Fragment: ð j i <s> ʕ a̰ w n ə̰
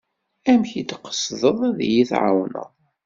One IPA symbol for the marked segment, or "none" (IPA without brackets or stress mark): θ